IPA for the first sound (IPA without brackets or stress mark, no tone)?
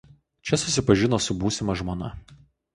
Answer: t͡ʃʲ